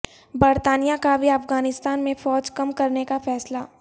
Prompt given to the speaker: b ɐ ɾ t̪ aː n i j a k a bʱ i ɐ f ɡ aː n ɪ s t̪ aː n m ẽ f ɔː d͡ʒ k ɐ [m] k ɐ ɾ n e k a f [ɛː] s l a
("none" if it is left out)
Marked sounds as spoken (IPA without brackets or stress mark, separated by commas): m, ɛː